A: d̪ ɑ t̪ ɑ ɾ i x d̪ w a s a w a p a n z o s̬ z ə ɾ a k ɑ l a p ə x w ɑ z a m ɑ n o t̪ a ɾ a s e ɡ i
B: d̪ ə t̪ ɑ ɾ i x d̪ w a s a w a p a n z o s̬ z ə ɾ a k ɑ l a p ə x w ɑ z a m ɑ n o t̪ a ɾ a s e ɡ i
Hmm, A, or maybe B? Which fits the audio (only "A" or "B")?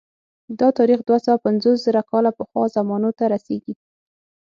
A